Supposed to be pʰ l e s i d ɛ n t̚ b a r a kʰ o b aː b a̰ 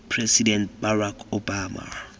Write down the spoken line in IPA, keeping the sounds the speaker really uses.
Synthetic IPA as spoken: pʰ r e s i d ɛ n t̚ b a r a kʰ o b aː m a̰